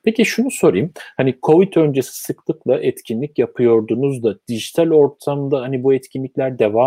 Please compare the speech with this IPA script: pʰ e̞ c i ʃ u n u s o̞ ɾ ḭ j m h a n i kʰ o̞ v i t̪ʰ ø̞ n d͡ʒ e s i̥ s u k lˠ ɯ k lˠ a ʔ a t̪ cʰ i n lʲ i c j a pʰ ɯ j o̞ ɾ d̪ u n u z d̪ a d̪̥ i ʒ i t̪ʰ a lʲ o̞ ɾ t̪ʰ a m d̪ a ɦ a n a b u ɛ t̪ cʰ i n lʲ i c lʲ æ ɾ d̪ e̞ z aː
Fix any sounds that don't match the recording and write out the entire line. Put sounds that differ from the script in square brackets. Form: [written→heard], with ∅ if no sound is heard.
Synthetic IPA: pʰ e̞ c i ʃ u n u s o̞ ɾ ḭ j m h a n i kʰ o̞ v i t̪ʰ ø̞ n d͡ʒ e s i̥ s [u→ɯ] k lˠ ɯ k lˠ a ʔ [a→ɛ] t̪ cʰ i n lʲ i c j a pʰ ɯ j o̞ ɾ d̪ u n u z d̪ a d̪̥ i ʒ i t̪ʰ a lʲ o̞ ɾ t̪ʰ a m d̪ a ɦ a n [a→i] b u ɛ t̪ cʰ i n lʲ i c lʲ æ ɾ d̪ e̞ [z→v] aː